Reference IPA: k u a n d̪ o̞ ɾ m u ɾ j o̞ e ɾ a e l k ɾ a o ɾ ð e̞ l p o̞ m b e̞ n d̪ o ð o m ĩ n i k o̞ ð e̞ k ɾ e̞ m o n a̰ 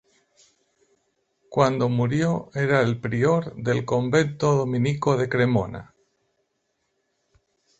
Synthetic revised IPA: k w a n d̪ o̞ m u ɾ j o̞ e ɾ a e l p ɾ i o ɾ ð e̞ l k o̞ m b e̞ n t̪ o ð o m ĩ n i k o̞ ð e̞ k ɾ e̞ m o n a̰